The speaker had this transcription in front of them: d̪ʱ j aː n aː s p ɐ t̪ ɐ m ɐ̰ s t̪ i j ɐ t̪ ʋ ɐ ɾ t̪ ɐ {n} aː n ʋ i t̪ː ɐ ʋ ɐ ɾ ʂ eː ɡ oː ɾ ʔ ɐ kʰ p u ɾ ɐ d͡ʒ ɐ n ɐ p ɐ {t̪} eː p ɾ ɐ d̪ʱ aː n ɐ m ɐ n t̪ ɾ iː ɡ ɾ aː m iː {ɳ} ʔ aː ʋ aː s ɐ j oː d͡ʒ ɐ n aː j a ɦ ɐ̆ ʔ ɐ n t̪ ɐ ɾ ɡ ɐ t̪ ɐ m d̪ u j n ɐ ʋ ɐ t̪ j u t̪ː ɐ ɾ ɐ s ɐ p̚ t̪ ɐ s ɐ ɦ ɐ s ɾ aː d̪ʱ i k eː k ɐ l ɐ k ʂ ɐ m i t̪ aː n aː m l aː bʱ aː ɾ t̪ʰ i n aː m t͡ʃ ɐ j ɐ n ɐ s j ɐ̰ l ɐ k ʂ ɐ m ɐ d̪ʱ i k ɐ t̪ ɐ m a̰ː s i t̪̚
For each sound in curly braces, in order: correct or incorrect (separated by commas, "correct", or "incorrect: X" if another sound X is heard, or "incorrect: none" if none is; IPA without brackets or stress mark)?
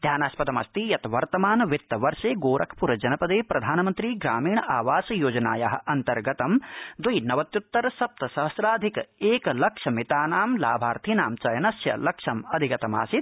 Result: incorrect: m, incorrect: d̪, correct